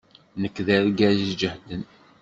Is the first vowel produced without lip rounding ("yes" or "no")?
yes